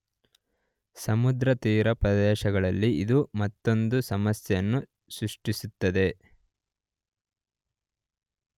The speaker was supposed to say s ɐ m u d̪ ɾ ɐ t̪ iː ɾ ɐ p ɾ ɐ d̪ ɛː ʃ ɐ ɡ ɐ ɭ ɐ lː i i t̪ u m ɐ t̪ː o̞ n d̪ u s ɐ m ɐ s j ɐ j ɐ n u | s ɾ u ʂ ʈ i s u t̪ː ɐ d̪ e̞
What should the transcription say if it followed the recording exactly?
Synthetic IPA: s ɐ m u d̪ ɾ ɐ t̪ iː ɾ ɐ p ɾ ɐ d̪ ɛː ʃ ɐ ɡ ɐ ɭ ɐ lː i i d̪ u m ɐ t̪ː o̞ n d̪ u s ɐ m ɐ s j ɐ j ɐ nː u | s ɾ u ʂ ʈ i s u t̪ː ɐ d̪ e̞

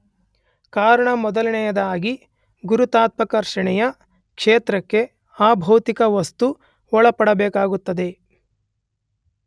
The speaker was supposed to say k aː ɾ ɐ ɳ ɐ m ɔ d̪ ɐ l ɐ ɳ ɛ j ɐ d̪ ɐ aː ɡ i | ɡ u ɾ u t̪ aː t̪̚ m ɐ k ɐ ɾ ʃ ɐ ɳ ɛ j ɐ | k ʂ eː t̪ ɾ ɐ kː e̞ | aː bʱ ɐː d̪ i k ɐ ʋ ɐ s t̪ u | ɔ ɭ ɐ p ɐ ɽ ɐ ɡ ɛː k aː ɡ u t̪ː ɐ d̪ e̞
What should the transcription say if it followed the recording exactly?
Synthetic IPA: k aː ɾ ɐ ɳ ɐ m ɔ d̪ ɐ l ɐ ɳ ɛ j ɐ d̪ ɐ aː ɡ i | ɡ u ɾ u t̪ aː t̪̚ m ɐ k ɐ ɾ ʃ ɐ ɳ ɛ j ɐ | k ʂ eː t̪ ɾ ɐ kː e̞ | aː bʱ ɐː t̪ i k ɐ ʋ ɐ s t̪ u | ɔ ɭ ɐ p ɐ ɽ ɐ b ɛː k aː ɡ u t̪ː ɐ d̪ e̞

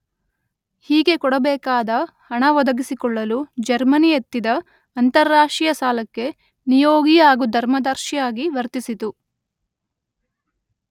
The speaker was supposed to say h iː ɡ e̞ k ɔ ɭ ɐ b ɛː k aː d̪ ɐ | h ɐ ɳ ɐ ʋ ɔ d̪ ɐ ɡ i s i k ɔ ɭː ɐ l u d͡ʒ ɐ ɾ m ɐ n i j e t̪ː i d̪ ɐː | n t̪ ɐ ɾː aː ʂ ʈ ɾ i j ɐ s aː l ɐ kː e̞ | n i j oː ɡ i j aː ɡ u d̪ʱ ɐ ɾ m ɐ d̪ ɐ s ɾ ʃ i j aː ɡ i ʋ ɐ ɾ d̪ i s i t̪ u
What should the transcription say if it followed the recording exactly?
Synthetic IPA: h iː ɡ e̞ k ɔ ɽ ɐ b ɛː k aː d̪ ɐ | h ɐ ɳ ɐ ʋ ɔ d̪ ɐ ɡ i s i k ɔ ɭː ɐ l u d͡ʒ ɐ ɾ m ɐ n i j e t̪ː i d̪ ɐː | n t̪ ɐ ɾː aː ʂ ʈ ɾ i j ɐ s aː l ɐ kː e̞ | n i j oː ɡ i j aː ɡ u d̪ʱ ɐ ɾ m ɐ d̪ ɐ ɾ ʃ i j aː ɡ i ʋ ɐ ɾ t̪ i s i t̪ u

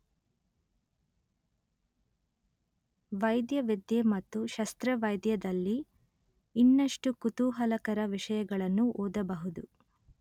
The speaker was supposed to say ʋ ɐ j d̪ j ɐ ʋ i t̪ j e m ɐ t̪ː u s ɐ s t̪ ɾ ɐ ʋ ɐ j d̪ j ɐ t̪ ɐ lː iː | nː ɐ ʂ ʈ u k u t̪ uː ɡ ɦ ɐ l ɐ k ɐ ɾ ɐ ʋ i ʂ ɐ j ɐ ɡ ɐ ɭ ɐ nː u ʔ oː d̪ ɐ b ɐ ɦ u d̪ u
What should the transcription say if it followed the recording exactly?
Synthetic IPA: ʋ ɐ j d̪ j ɐ ʋ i d̪ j e m ɐ t̪ː u ʃ ɐ s t̪ ɾ ɐ ʋ ɐ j d̪ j ɐ d̪ ɐ lː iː | nː ɐ ʂ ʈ u k u t̪ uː ɦ ɐ l ɐ k ɐ ɾ ɐ ʋ i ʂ ɐ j ɐ ɡ ɐ ɭ ɐ nː u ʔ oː d̪ ɐ b ɐ ɦ u d̪ u

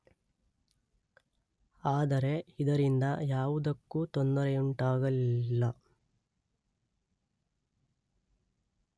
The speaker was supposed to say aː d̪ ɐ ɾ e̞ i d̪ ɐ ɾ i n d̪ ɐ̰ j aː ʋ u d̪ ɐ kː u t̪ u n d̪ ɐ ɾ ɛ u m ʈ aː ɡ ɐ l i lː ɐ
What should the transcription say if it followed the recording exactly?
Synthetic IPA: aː d̪ ɐ ɾ e̞ i d̪ ɐ ɾ i n d̪ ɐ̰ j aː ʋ u d̪ ɐ kː u t̪ o n d̪ ɐ ɾ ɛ u ɳ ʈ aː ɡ ɐ l i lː ɐ

